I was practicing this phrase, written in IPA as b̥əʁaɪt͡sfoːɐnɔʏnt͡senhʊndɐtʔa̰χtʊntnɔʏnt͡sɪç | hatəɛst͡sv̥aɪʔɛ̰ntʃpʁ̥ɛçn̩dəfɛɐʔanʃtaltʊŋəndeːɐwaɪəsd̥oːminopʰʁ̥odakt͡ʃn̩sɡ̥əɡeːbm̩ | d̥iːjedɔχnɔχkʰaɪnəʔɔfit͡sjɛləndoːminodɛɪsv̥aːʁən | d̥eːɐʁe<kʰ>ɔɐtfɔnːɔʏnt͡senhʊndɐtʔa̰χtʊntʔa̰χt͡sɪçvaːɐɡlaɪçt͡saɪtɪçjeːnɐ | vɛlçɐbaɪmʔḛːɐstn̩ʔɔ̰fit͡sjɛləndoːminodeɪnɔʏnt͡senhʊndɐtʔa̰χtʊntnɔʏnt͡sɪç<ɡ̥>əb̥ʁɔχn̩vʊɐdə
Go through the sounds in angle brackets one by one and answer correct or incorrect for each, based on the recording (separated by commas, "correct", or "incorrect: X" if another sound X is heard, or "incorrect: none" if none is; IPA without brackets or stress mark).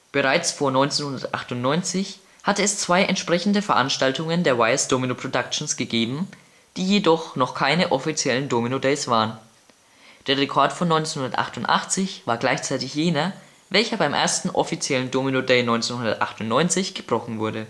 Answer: correct, correct